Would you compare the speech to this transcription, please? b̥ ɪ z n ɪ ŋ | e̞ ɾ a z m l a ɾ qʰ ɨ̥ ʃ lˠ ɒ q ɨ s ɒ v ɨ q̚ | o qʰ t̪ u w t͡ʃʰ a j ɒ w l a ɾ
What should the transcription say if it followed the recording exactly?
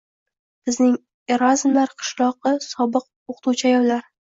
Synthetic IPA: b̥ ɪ z n ɪ ŋ | e̞ ɾ a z m l a ɾ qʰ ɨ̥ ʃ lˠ ɒ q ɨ s ɒ b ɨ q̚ | o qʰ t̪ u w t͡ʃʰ a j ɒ w l a ɾ